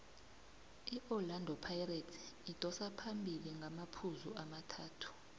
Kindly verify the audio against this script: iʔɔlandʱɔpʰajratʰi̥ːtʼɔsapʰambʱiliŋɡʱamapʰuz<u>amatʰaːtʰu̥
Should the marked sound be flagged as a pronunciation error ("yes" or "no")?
no